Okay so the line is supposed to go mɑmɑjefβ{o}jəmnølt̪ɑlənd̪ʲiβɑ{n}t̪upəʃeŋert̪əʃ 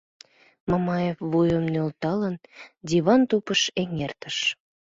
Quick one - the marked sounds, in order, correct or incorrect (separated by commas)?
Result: incorrect, correct